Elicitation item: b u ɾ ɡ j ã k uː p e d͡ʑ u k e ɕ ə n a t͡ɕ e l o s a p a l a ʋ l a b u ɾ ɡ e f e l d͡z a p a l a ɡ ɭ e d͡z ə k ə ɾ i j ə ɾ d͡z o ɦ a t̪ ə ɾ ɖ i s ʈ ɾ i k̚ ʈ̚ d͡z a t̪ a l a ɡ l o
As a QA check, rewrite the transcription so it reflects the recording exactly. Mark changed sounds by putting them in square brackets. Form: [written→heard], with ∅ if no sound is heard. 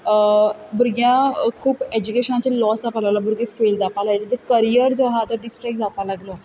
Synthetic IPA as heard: b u ɾ ɡ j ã [k→kʰ] uː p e d͡ʑ u k e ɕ ə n a t͡ɕ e l [o→ɔ] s a p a l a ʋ l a b u ɾ ɡ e f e l d͡z a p a l a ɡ [ɭ→l] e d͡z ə k ə ɾ i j ə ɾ d͡z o ɦ a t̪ ə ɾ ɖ i s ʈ ɾ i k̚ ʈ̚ d͡z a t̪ a l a ɡ l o